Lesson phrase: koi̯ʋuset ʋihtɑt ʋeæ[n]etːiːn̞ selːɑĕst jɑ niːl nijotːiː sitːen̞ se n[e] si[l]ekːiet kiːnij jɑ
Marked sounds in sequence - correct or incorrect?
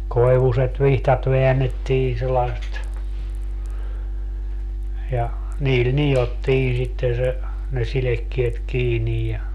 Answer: incorrect, correct, correct

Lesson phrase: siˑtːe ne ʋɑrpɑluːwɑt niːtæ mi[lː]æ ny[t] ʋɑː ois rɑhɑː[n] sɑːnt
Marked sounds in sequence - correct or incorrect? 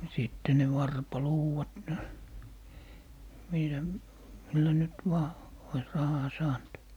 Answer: correct, correct, incorrect

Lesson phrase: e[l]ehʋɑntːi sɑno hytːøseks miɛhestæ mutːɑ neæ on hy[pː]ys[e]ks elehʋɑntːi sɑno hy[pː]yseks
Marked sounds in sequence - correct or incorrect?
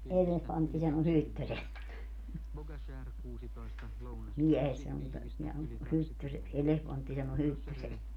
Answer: correct, incorrect, correct, incorrect

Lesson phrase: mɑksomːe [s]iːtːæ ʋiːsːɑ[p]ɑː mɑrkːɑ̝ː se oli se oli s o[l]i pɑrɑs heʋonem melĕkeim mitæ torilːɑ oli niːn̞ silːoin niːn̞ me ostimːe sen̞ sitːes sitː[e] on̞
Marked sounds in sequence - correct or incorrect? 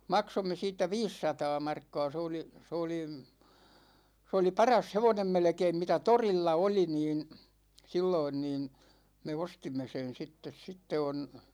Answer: correct, incorrect, correct, correct

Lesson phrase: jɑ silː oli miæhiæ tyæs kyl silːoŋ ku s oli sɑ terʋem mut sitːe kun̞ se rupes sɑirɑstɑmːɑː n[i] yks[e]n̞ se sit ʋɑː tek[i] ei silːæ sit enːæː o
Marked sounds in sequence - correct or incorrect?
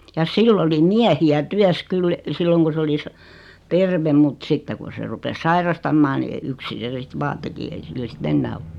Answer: correct, incorrect, correct

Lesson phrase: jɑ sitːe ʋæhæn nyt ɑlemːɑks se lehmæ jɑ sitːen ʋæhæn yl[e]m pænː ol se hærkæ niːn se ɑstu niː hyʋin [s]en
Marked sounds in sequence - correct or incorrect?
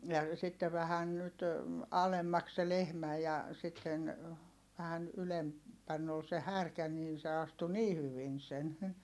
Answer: correct, correct

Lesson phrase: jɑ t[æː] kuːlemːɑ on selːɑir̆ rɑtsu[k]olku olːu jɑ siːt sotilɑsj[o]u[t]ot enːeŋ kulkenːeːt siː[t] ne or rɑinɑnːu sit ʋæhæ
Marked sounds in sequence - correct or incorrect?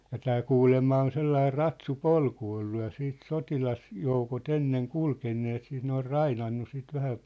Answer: correct, incorrect, correct, incorrect, correct

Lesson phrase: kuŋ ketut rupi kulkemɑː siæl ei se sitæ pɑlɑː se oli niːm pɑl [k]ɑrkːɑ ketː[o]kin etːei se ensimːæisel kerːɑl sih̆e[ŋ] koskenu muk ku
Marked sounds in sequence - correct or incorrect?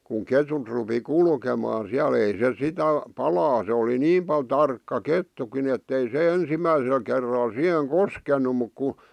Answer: incorrect, incorrect, correct

